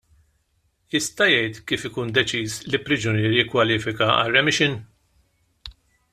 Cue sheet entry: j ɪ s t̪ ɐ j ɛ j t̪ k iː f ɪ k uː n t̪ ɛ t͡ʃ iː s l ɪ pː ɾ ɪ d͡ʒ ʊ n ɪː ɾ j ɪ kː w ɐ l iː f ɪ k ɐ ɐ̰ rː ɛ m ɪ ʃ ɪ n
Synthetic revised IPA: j ɪ s t̪ ɐ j ɛ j t̪ k iː f ɪ k uː n d̪ ɛ t͡ʃ iː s l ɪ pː ɾ ɪ d͡ʒ ʊ n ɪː ɾ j ɪ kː w ɐ l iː f ɪ k ɐ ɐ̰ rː ɛ m ɪ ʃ ɪ n

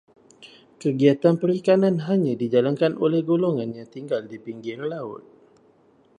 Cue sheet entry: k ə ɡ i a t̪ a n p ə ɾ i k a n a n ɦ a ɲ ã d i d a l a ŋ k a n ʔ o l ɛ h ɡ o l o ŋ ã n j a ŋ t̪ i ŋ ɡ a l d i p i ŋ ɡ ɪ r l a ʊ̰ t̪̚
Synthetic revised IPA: k ə ɡ i a t̪ a n p ə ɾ i k a n a n ɦ a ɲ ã d i d͡ʒ a l a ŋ k a n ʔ o l ɛ h ɡ o l o ŋ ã n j a ŋ t̪ i ŋ ɡ a l d i p i ŋ ɡ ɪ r l a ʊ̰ t̪̚

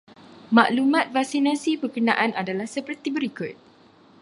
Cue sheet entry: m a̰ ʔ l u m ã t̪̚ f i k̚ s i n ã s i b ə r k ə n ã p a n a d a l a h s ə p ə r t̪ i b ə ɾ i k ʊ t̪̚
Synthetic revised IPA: m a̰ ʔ l u m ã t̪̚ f a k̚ s i n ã s i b ə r k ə n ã ʔ a n a d a l a h s ə p ə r t̪ i b ə ɾ i k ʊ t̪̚

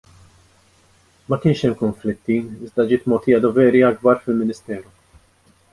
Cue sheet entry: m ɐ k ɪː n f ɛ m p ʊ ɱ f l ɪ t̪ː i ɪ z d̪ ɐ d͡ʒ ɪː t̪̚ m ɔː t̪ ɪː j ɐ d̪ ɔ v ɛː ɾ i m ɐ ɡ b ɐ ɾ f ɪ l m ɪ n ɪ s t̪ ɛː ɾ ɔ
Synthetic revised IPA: m ɐ k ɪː n ʃ ɛ m k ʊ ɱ f l ɪ t̪ː i ɪ z d̪ ɐ d͡ʒ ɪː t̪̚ m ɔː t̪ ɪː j ɐ d̪ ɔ v ɛː ɾ i ɐ ɡ b ɐ ɾ f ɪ l m ɪ n ɪ s t̪ ɛː ɾ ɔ

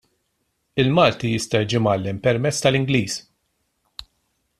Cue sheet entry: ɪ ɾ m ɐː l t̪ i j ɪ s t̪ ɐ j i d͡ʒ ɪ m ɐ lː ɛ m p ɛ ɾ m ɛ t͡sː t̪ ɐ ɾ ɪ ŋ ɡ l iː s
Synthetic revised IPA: ɪ l m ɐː l t̪ i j ɪ s t̪ ɐ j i d͡ʒ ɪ m ɐ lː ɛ m p ɛ ɾ m ɛ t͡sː t̪ ɐ l ɪ ŋ ɡ l iː s

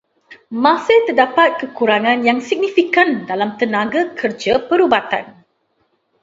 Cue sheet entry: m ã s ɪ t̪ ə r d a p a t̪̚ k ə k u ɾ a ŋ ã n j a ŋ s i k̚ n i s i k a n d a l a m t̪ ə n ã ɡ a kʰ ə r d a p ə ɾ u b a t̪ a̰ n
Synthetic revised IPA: m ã s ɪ t̪ ə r d a p a t̪̚ k ə k u ɾ a ŋ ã n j a ŋ s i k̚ n i f i k a n d a l a m t̪ ə n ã ɡ a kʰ ə r d͡ʒ a p ə ɾ u b a t̪ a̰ n

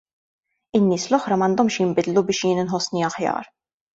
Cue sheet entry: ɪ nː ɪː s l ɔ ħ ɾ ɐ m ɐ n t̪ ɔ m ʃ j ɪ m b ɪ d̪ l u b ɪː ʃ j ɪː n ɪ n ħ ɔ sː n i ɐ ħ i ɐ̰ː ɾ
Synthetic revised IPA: ɪ nː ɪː s l ɔ ħ ɾ ɐ m ɐ n d̪ ɔ m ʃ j ɪ m b ɪ d̪ l u b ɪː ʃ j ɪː n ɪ n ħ ɔ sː n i ɐ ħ j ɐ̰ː ɾ

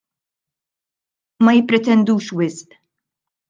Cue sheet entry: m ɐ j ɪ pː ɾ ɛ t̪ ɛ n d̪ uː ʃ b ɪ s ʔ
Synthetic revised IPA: m ɐ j ɪ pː ɾ ɛ t̪ ɛ n d̪ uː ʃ w ɪ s ʔ

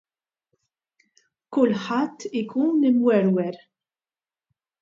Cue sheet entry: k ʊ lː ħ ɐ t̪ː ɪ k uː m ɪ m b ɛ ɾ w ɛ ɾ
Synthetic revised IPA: k ʊ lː ħ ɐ t̪ː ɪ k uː n ɪ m w ɛ ɾ w ɛ ɾ

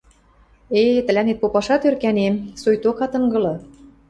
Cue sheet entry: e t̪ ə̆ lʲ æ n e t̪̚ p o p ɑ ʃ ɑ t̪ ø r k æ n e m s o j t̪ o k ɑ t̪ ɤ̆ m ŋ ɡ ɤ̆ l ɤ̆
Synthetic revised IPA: e t̪ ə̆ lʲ æ n e t̪̚ p o p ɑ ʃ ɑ t̪ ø r k æ n e m s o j t̪ o k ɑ t̪ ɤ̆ ŋ ɡ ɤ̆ l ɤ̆

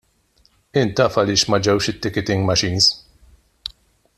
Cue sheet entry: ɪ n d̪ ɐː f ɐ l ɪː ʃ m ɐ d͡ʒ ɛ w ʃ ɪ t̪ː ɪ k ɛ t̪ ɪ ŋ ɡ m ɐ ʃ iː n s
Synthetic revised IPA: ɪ n t̪ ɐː f ɐ l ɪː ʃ m ɐ d͡ʒ ɛ w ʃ ɪ t̪ː ɪ k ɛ t̪ ɪ ŋ ɡ m ɐ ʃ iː n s

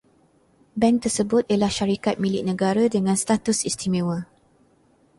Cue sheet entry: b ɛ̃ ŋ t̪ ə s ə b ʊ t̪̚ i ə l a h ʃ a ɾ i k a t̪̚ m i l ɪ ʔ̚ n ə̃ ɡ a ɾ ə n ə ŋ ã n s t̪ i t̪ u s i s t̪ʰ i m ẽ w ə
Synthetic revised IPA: b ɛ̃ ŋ t̪ ə s ə b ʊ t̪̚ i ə l a h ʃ a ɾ i k a t̪̚ m i l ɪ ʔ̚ n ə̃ ɡ a ɾ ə d ə ŋ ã n s t̪ a t̪ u s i s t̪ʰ i m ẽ w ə

